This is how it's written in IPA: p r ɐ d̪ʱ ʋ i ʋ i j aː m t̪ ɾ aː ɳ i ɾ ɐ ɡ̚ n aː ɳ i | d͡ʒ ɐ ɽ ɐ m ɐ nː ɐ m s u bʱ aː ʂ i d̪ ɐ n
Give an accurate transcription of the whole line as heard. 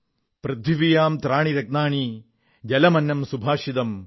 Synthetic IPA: p ɾ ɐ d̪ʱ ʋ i ʋ i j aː m t̪ ɾ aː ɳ i ɾ ɐ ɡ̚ n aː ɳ i | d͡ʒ ɐ l ɐ m ɐ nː ɐ m s u bʱ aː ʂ i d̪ ɐ m